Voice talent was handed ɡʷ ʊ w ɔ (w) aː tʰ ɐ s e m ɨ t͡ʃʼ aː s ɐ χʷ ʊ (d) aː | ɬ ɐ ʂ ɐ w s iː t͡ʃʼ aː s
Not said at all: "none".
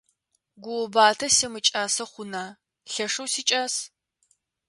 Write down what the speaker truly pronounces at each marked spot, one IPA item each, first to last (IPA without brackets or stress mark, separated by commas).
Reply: b, n